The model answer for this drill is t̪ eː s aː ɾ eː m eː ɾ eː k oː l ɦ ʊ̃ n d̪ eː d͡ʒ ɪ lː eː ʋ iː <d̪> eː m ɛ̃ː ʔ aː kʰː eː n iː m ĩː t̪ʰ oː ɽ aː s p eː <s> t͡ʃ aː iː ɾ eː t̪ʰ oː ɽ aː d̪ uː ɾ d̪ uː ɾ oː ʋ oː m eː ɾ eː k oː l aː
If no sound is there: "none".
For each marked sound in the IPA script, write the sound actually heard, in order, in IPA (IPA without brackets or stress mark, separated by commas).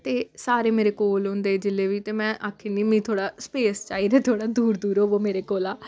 t̪, s